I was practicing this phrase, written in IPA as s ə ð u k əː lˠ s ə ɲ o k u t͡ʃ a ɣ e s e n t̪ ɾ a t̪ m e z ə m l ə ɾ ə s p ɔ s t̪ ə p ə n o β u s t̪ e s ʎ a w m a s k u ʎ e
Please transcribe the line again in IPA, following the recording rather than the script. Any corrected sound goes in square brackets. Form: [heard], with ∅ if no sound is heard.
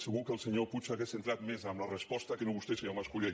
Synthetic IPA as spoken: s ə [ɣ] u k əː lˠ s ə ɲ o [p] u t͡ʃ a ɣ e s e n t̪ ɾ a t̪ m e z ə m l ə [r] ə s p ɔ s t̪ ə [k] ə n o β u s t̪ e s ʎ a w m a s k u ʎ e